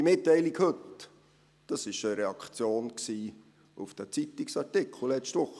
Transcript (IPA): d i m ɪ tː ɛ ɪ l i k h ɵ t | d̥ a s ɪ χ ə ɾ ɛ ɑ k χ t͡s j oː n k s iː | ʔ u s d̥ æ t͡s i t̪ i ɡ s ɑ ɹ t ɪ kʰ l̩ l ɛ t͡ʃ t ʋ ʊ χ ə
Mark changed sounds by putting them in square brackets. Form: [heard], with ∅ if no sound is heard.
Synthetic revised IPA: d i m ɪ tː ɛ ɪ l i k h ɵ t | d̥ [ɑ] s ɪ [ʃ] ə ɾ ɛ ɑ k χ t͡s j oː n k s iː | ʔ u [f] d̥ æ t͡s i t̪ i [k] s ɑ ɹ t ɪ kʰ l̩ l ɛ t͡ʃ t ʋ ʊ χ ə